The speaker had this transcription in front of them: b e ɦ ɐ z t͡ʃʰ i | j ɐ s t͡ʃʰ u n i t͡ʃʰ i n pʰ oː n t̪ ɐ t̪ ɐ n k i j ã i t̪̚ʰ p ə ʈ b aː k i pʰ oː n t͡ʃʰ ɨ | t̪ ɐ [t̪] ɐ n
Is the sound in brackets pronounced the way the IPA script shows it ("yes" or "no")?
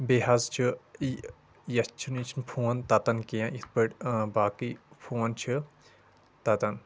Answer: yes